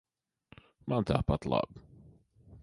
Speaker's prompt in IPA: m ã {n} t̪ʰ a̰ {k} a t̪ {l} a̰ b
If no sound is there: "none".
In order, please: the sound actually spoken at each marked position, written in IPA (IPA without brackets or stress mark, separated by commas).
n, p, l